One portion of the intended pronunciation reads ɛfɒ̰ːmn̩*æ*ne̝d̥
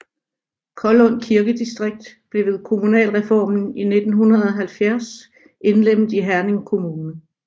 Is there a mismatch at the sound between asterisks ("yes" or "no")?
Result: yes